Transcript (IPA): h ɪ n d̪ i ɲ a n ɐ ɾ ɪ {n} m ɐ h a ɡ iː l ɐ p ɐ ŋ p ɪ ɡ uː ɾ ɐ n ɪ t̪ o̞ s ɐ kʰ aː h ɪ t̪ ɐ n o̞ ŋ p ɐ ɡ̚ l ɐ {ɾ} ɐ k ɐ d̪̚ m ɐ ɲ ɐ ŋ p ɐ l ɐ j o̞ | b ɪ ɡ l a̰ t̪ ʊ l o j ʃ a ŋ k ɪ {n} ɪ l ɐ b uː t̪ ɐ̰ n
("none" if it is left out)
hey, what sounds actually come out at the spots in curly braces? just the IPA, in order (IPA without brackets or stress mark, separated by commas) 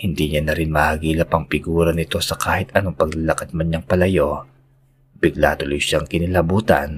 n, l, n